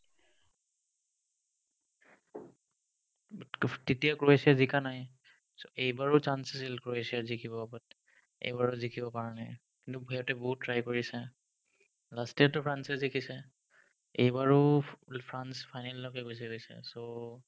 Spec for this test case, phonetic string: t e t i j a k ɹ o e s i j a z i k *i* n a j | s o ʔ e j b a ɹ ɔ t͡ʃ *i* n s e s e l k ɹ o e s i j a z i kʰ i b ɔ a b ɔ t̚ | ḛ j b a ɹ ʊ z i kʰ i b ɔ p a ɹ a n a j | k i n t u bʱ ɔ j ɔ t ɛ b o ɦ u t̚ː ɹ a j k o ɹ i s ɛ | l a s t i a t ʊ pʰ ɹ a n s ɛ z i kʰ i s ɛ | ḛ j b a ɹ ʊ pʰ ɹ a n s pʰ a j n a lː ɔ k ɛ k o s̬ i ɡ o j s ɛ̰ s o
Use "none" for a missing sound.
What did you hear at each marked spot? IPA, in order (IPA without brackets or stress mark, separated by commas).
a, a